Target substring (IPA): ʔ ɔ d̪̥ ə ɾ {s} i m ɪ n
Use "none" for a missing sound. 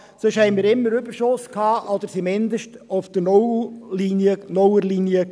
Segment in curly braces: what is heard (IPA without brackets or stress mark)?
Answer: s